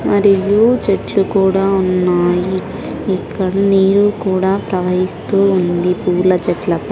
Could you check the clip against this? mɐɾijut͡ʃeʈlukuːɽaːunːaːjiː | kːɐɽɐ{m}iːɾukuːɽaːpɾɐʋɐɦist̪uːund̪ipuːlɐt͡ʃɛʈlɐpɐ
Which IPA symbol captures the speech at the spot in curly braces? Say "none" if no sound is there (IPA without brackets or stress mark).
n